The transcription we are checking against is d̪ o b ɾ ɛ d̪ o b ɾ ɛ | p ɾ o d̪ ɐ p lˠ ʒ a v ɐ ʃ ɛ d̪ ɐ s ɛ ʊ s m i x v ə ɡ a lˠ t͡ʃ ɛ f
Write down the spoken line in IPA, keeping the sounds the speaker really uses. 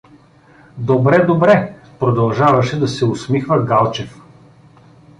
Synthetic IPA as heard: d̪ o b ɾ ɛ d̪ o b ɾ ɛ | p ɾ o d̪ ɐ lˠ ʒ a v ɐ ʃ ɛ d̪ ɐ s ɛ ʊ s m i x v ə ɡ a lˠ t͡ʃ ɛ f

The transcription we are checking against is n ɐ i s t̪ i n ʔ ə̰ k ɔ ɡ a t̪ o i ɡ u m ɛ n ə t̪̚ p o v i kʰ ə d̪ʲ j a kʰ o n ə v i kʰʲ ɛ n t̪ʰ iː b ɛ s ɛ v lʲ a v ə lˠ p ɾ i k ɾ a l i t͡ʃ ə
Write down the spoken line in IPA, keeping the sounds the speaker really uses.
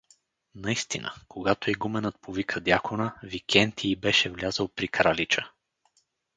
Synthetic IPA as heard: n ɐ i s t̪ i n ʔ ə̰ k o ɡ a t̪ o i ɡ u m ɛ n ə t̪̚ p o v i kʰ ə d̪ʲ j a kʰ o n ə v i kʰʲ ɛ n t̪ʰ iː b ɛ ʃ ɛ v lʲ a z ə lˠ p ɾ i k ɾ a l i t͡ʃ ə

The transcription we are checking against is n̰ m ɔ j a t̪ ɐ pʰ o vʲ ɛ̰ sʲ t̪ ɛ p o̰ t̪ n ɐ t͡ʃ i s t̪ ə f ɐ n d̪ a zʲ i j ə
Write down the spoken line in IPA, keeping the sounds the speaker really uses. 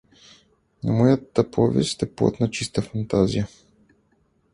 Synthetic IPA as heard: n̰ m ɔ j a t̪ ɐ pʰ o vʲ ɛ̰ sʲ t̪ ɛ p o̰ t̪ n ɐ t͡ʃ i s t̪ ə f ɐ n t̪ a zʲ i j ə

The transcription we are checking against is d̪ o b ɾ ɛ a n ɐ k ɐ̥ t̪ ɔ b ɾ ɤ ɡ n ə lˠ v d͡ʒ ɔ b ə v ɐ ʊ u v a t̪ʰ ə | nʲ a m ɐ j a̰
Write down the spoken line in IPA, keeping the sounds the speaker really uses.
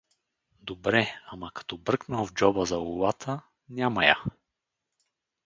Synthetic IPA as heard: d̪ o b ɾ ɛ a m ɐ k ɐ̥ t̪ ɔ b ɾ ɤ k n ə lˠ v d͡ʒ ɔ b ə z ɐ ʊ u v a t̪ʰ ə | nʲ a m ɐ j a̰

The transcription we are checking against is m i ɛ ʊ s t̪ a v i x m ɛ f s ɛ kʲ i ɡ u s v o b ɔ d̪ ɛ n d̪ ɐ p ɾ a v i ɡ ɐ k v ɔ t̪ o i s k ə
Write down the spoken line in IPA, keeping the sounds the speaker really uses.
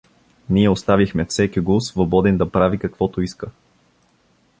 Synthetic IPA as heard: n i ɛ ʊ s t̪ a v i x m ɛ f s ɛ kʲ i ɡ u s v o b ɔ d̪ ɛ n d̪ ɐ p ɾ a v i k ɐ k v ɔ t̪ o i s k ə

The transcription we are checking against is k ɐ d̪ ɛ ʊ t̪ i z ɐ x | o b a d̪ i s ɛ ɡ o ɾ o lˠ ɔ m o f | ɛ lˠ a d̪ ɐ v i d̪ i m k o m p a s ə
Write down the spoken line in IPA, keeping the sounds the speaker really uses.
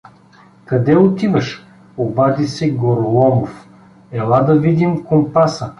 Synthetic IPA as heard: k ɐ d̪ ɛ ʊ t̪ i v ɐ ʃ | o b a d̪ i s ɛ ɡ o ɾ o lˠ ɔ m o f | ɛ lˠ a d̪ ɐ v i d̪ i m k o m p a s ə

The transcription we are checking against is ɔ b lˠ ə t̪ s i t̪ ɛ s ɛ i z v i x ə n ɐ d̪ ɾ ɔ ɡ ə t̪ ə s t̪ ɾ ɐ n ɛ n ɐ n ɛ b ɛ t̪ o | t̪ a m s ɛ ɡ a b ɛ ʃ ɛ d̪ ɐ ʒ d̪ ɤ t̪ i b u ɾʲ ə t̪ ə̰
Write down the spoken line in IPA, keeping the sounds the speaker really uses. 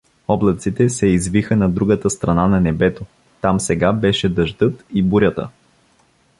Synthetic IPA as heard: ɔ b lˠ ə t̪ s i t̪ ɛ s ɛ i z v i x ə n ɐ d̪ ɾ u ɡ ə t̪ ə s t̪ ɾ ɐ n a n ɐ n ɛ b ɛ t̪ o | t̪ a m s ɛ ɡ a b ɛ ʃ ɛ d̪ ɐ ʒ d̪ ɤ t̪ i b u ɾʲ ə t̪ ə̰

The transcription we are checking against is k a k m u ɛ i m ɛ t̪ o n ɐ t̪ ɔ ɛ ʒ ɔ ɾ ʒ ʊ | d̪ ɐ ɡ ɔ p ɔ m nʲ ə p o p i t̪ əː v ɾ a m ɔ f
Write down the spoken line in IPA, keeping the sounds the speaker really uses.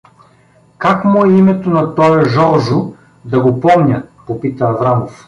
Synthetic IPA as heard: k a k m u ɛ i m ɛ t̪ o n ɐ t̪ ɔ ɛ ʒ ɔ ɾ ʒ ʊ | d̪ ɐ ɡ o p ɔ m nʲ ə p o p i t̪ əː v ɾ a m o f

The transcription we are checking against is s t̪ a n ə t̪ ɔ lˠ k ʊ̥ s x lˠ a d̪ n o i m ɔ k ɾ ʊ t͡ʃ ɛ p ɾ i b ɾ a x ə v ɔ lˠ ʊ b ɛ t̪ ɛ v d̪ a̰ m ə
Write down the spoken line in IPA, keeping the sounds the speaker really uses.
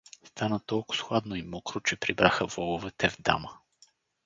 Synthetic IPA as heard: s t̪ a n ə t̪ ɔ lˠ k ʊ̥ s x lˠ a d̪ n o i m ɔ k ɾ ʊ t͡ʃ ɛ p ɾ i b ɾ a x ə v ɔ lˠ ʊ v ɛ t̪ ɛ v d̪ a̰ m ə

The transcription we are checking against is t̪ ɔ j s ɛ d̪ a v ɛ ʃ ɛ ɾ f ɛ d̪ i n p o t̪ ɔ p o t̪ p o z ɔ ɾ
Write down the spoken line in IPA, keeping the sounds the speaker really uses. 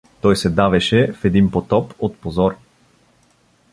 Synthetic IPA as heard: t̪ ɔ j s ɛ d̪ a v ɛ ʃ ɛ f ɛ d̪ i n p o t̪ ɔ p o t̪ p o z ɔ ɾ

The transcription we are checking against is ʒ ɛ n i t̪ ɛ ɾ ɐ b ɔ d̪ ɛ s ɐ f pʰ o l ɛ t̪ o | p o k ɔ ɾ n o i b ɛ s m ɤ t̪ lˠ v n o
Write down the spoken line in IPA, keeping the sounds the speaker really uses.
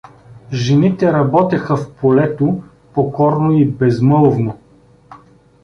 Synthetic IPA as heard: ʒ ɛ n i t̪ ɛ ɾ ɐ b ɔ t̪ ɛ x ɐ f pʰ o l ɛ t̪ o | p o k ɔ ɾ n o i b ɛ z m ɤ lˠ v n o

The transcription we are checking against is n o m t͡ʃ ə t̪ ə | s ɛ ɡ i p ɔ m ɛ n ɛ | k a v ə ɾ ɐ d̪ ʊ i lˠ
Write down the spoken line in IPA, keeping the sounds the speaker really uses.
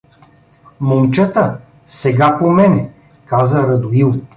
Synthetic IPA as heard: m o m t͡ʃ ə t̪ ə | s ɛ ɡ a p o m ɛ n ɛ | k a z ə ɾ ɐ d̪ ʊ i lˠ

